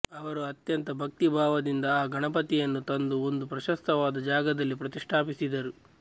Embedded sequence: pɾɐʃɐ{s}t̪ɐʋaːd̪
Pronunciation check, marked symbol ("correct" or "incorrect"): correct